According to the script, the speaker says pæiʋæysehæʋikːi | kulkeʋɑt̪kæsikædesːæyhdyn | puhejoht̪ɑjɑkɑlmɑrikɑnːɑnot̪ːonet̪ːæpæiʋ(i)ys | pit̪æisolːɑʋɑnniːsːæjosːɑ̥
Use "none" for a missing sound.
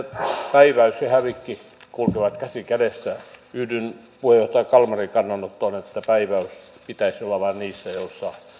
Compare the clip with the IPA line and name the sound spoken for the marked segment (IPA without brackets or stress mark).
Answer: æ